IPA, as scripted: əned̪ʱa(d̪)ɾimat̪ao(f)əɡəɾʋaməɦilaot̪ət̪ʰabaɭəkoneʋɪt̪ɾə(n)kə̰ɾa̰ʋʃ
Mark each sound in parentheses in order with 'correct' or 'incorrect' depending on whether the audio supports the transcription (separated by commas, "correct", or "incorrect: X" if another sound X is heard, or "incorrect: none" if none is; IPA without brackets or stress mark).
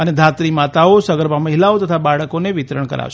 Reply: incorrect: t̪, incorrect: s, incorrect: ɳ